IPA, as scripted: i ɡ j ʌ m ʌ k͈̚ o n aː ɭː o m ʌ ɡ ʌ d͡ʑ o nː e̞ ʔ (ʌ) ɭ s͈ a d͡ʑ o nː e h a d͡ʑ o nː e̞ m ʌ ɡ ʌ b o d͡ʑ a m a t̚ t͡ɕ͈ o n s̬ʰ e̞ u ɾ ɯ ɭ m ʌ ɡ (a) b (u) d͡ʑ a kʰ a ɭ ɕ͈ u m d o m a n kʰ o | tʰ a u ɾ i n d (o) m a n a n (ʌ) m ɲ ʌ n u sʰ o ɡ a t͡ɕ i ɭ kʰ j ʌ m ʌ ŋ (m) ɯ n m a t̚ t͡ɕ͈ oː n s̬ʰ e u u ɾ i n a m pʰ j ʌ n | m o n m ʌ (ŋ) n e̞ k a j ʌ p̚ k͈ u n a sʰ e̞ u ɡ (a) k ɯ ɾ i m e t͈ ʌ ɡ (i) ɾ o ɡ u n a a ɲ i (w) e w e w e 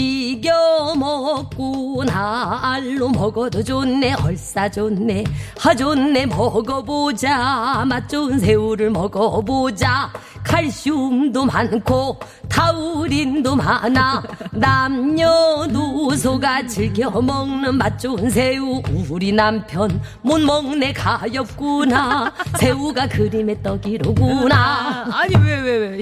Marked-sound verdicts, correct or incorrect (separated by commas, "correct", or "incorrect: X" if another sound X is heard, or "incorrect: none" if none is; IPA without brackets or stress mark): correct, incorrect: ʌ, incorrect: o, correct, incorrect: a, incorrect: n, correct, correct, correct, correct